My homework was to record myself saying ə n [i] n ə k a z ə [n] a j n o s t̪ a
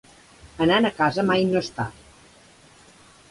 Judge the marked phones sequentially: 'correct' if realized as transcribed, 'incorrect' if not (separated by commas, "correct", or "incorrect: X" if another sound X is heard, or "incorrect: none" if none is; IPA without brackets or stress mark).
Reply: incorrect: a, incorrect: m